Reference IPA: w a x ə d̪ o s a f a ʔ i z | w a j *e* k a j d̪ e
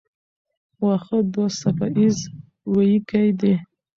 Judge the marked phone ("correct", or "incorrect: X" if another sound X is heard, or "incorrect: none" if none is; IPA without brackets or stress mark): incorrect: i